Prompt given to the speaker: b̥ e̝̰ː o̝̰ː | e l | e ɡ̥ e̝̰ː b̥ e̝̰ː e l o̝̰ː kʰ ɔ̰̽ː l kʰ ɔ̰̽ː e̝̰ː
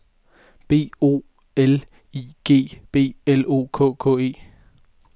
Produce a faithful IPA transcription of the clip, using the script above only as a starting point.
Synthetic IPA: b̥ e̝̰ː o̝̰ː | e l | i ɡ̥ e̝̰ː b̥ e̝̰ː e l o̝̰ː kʰ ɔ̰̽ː kʰ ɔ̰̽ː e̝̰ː